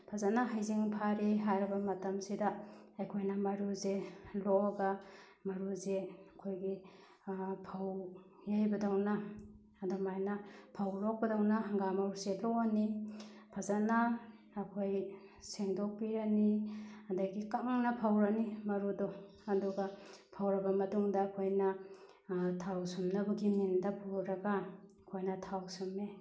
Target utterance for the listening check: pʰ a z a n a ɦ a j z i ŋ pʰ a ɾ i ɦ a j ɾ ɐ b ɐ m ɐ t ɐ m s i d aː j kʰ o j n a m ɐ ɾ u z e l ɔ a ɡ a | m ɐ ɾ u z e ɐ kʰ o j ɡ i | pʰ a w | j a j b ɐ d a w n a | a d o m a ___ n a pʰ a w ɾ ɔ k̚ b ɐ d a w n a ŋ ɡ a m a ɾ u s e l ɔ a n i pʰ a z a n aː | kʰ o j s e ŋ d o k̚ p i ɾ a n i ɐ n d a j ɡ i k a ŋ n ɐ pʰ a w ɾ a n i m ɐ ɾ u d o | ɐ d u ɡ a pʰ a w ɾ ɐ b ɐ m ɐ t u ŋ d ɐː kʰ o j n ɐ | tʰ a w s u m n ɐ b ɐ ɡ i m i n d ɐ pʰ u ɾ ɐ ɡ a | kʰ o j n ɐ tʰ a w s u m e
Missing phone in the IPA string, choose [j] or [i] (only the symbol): j